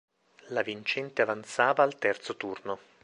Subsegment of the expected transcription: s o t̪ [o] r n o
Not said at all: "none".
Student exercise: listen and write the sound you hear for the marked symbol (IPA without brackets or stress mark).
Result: u